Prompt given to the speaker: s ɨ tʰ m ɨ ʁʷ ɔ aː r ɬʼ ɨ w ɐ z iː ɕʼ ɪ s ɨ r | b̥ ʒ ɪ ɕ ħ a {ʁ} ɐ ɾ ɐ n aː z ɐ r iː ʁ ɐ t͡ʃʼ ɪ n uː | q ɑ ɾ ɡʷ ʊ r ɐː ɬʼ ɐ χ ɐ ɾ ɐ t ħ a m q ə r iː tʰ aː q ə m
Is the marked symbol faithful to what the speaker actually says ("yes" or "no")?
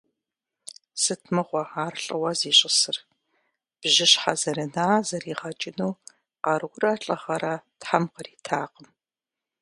no